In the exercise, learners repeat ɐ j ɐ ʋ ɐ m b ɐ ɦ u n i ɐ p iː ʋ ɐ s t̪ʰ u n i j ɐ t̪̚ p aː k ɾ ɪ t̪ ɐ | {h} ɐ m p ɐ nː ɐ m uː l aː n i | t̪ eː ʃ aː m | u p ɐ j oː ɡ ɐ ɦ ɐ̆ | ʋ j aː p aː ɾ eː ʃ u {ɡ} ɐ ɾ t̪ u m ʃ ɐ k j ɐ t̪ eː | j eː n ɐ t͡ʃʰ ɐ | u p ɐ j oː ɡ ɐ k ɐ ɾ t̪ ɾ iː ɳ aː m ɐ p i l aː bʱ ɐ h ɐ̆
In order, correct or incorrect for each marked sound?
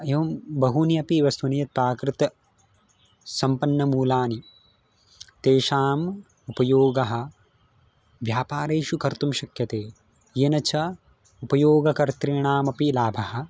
incorrect: s, incorrect: k

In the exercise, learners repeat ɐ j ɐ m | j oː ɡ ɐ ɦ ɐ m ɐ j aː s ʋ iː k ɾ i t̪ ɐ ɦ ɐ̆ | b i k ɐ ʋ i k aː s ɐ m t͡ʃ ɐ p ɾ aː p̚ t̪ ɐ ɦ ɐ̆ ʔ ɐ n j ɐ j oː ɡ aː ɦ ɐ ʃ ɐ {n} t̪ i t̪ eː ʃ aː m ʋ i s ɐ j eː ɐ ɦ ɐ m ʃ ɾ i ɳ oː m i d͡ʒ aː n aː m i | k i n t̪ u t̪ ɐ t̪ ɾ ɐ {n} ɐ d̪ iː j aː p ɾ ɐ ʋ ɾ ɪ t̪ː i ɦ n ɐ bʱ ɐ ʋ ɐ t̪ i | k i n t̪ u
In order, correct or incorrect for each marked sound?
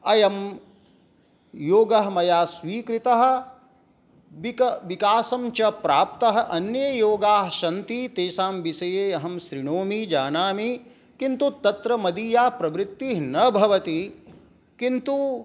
correct, incorrect: m

